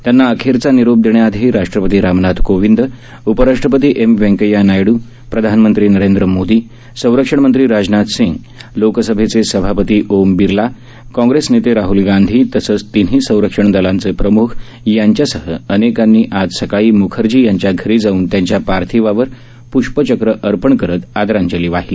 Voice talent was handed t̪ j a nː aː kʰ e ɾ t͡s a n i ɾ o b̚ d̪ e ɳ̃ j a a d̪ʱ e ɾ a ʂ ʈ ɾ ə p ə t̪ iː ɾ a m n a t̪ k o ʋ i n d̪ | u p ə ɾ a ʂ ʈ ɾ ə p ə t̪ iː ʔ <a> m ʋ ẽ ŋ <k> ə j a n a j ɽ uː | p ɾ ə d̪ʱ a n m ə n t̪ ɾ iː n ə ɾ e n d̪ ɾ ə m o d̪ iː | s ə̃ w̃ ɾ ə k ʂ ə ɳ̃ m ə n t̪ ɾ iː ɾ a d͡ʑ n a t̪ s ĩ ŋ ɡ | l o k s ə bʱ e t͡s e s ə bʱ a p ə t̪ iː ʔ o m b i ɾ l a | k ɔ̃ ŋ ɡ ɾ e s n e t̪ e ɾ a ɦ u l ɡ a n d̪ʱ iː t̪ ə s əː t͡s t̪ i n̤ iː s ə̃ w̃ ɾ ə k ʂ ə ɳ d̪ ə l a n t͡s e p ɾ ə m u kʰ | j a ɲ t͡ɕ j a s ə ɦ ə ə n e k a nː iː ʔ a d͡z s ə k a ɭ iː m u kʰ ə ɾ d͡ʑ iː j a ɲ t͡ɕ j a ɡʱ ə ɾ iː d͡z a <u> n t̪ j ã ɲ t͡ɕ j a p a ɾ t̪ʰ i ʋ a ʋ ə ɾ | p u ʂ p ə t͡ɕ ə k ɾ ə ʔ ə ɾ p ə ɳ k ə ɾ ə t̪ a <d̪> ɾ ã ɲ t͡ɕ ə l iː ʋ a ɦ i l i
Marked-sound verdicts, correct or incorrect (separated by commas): incorrect, correct, incorrect, correct